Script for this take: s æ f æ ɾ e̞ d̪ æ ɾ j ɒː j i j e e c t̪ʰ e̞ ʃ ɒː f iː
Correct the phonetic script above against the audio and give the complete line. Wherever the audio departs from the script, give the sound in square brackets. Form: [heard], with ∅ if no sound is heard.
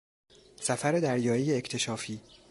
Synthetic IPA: s æ f æ ɾ e̞ d̪ æ ɾ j ɒː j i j e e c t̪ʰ e̞ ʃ ɒː f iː